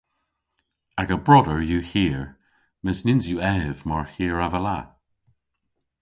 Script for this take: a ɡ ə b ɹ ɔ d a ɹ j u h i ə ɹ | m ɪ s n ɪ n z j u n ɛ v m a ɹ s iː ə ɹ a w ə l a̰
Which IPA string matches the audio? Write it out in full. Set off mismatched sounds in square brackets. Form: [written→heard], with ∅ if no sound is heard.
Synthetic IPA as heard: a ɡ ə b ɹ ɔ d [a→ə] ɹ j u h i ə ɹ | m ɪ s n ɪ n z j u [n→∅] ɛ v m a ɹ [s→h] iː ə ɹ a [w→v] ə l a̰